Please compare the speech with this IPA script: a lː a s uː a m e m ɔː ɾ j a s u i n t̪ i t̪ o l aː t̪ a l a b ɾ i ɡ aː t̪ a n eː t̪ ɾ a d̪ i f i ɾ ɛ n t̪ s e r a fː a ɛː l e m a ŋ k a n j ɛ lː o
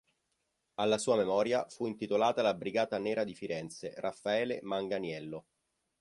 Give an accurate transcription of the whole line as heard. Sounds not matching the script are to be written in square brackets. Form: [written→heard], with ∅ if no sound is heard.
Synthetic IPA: a lː a s uː a m e m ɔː ɾ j a [s→f] u i n t̪ i t̪ o l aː t̪ a l a b ɾ i ɡ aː t̪ a n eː [t̪→∅] ɾ a d̪ i f i ɾ ɛ n t̪ s e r a fː a ɛː l e m a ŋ [k→ɡ] a n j ɛ lː o